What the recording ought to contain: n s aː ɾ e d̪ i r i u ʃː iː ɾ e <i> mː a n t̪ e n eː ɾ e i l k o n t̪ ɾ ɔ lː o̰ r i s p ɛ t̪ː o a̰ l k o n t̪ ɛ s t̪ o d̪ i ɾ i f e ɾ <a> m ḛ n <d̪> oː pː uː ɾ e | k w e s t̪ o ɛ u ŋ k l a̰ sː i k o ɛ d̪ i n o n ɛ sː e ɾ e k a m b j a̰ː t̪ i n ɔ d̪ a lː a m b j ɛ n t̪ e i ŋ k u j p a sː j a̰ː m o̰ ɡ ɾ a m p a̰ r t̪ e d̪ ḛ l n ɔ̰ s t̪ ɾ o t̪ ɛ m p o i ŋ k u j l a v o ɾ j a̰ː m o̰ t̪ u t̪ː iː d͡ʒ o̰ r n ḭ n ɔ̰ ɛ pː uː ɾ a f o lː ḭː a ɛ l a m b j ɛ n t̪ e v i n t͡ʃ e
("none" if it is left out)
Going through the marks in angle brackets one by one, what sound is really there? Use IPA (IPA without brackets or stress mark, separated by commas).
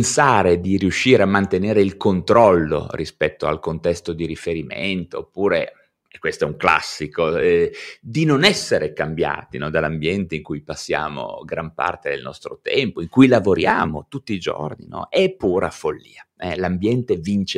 a, i, t̪